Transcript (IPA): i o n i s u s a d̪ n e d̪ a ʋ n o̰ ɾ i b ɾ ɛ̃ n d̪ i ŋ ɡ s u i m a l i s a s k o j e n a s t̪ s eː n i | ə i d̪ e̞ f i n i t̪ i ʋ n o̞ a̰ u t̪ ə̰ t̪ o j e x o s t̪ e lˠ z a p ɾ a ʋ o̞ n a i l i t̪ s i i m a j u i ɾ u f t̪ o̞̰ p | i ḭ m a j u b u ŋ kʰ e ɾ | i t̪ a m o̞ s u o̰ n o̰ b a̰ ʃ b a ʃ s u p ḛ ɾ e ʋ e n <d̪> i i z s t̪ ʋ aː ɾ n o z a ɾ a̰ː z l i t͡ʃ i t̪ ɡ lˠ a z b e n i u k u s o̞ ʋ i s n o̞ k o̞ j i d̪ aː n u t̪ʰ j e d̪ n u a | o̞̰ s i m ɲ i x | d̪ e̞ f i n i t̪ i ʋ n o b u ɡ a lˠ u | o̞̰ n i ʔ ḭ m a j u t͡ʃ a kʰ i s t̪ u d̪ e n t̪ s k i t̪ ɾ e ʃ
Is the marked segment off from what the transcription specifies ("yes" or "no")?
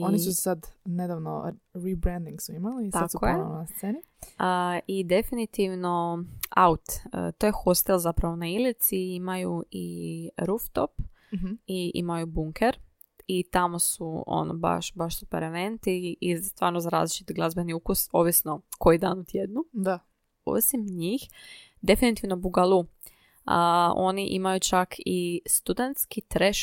yes